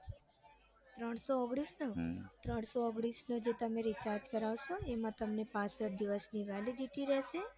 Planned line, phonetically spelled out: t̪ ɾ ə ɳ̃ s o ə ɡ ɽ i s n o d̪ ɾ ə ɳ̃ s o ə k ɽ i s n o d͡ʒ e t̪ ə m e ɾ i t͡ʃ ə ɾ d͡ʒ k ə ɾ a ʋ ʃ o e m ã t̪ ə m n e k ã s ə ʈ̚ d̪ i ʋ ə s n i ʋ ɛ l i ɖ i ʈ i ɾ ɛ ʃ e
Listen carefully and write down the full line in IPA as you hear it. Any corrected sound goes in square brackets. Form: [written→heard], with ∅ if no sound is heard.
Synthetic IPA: t̪ ɾ ə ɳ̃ s o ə ɡ ɽ i s n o [d̪→t̪] ɾ ə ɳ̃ s o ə [k→ɡ] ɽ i s n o d͡ʒ e t̪ ə m e ɾ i t͡ʃ [ə→a] ɾ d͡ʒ k ə ɾ a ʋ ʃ o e m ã t̪ ə m n e [k→p] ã s ə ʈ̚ d̪ i ʋ ə s n i ʋ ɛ l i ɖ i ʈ i ɾ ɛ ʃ e